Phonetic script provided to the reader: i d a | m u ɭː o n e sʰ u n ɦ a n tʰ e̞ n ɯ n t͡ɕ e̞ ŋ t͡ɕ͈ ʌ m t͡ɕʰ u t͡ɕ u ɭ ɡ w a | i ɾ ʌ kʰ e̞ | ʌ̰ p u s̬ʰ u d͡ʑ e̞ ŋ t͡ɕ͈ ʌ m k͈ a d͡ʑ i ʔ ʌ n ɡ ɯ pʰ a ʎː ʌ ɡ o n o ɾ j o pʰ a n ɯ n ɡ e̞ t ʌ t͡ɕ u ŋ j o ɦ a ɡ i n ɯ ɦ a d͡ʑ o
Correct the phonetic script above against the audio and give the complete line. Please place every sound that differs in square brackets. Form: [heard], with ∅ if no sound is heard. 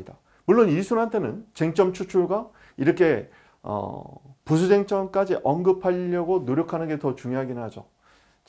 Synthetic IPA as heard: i d a | m u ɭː o n [i] sʰ u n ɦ a n tʰ e̞ n ɯ n t͡ɕ e̞ ŋ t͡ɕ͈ ʌ m t͡ɕʰ u [t͡ɕʰ] u ɭ ɡ w a | i ɾ ʌ kʰ e̞ | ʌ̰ p u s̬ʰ u d͡ʑ e̞ ŋ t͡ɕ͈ ʌ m k͈ a d͡ʑ i ʔ ʌ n ɡ ɯ pʰ a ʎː ʌ ɡ o n o ɾ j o [kʰ] a n ɯ n ɡ e̞ t ʌ t͡ɕ u ŋ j o ɦ a ɡ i n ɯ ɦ a d͡ʑ o